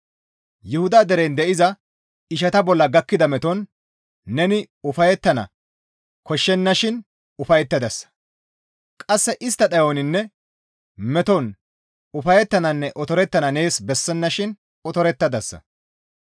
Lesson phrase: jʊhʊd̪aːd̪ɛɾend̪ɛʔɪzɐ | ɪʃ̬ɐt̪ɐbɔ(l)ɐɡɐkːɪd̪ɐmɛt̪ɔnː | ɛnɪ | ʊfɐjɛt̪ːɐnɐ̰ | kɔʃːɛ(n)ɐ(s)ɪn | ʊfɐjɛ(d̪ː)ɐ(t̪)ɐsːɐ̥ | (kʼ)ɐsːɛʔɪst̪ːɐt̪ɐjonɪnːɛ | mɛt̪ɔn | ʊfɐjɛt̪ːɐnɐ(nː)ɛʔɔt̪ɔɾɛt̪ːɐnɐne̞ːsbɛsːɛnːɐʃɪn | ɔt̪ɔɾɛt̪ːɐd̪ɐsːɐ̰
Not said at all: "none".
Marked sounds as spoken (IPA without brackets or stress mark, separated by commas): lː, nː, ʃ, t̪ː, d̪, kʼ, nː